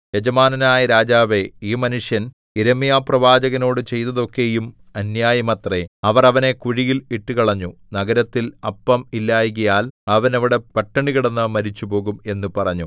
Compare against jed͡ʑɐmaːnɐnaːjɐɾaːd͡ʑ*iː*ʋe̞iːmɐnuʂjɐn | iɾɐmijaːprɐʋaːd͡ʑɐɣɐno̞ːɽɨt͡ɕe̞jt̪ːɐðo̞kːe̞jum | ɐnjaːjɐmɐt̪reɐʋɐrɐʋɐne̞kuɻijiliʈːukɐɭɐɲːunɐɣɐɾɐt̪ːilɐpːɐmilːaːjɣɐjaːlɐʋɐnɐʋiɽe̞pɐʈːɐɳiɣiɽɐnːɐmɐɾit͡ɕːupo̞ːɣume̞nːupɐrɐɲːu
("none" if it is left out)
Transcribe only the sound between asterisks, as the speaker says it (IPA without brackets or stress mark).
aː